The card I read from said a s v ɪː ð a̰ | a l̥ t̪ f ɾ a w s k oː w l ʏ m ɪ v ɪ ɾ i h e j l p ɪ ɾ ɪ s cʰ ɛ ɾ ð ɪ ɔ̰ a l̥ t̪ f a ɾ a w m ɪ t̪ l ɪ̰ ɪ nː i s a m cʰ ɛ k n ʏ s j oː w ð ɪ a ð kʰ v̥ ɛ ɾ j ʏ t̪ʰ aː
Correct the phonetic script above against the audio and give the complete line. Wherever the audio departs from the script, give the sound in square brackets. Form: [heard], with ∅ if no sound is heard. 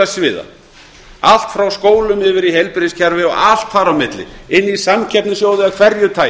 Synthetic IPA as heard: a s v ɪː ð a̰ | a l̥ t̪ f ɾ a w s k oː w l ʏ m ɪ v ɪ ɾ i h e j l p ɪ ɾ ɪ s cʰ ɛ ɾ [v] ɪ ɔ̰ a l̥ t̪ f a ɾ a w m ɪ t̪ l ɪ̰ ɪ nː i s a m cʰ ɛ [p] n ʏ s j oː w ð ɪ a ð kʰ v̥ ɛ ɾ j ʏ t̪ʰ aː

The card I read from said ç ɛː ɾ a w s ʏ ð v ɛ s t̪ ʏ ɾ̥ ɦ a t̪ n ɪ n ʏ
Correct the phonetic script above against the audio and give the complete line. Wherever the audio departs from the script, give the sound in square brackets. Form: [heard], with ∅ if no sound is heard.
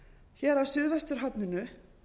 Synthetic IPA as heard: ç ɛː ɾ a w s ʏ ð v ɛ s t̪ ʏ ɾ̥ ɦ a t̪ n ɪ n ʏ

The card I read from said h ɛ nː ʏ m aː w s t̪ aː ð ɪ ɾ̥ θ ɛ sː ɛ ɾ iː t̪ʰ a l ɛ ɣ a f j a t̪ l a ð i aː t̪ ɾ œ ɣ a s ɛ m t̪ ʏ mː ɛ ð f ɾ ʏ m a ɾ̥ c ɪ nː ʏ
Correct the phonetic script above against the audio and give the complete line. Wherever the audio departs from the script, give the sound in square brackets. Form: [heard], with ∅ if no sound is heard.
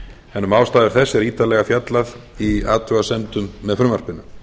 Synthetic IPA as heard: h ɛ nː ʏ m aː w s t̪ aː ð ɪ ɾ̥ θ ɛ sː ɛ ɾ iː [t̪] a l ɛ ɣ a f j a t̪ l a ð i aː t̪ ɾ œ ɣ a s ɛ m t̪ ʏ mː ɛ ð f ɾ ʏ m a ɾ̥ [p] ɪ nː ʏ

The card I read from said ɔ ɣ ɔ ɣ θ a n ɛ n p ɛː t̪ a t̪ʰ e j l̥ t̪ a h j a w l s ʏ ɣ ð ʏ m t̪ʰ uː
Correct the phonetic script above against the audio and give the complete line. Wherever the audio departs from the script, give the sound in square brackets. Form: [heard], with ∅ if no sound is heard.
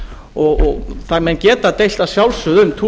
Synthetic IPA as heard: ɔ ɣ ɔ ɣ θ a [m] ɛ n [c] ɛː t̪ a [t̪] e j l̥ t̪ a [s] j a w l s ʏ [∅] ð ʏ m t̪ʰ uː

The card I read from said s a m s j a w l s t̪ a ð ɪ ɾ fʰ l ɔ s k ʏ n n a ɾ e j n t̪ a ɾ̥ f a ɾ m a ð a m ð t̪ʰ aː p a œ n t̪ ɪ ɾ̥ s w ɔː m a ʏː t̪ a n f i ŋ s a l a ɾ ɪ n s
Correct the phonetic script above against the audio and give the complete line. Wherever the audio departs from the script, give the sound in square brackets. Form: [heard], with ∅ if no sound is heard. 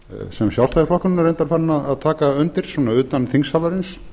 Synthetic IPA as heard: s [ɛ] m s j a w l s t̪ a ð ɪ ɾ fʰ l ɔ [h] k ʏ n n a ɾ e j n t̪ a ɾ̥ f a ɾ [n] a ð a [∅] ð t̪ʰ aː [k] a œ n t̪ ɪ ɾ̥ s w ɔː [n] a ʏː t̪ a n [θ] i ŋ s a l a ɾ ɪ n s

